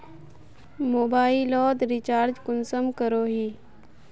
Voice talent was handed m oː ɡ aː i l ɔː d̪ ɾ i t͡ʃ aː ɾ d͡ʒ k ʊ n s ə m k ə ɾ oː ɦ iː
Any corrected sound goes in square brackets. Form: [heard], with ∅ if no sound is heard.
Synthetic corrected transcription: m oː [b] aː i l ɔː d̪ ɾ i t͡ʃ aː ɾ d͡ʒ k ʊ n s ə m k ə ɾ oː ɦ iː